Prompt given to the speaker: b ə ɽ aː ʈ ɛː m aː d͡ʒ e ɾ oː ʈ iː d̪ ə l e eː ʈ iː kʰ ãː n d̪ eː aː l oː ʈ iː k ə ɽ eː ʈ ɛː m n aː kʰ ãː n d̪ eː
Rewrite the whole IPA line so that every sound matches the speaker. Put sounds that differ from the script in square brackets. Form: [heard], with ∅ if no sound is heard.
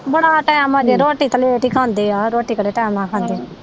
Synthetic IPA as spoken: b ə ɽ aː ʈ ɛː m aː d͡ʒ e ɾ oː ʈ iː [t̪] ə l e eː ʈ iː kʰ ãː n d̪ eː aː [ɾ] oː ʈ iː k ə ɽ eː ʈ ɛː m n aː kʰ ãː n d̪ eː